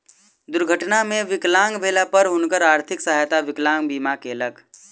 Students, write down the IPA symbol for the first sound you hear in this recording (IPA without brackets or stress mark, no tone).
d̪